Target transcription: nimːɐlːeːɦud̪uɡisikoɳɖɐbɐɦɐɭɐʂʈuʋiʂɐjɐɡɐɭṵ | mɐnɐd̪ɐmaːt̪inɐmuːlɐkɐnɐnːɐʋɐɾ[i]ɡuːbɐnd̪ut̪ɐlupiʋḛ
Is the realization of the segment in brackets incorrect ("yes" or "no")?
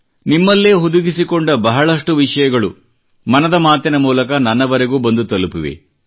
yes